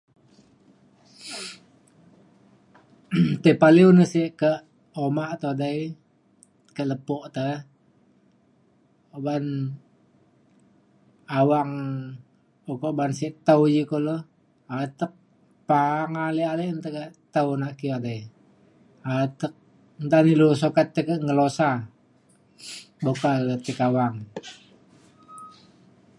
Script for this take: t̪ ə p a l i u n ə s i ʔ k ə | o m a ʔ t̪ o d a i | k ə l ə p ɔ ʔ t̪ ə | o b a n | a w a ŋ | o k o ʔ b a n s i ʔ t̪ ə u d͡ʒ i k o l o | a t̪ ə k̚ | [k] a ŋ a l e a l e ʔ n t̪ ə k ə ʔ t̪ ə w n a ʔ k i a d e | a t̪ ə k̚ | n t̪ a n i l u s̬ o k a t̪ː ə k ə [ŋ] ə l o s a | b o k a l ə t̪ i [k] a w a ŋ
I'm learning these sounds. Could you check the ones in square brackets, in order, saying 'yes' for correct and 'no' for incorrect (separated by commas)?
no, yes, yes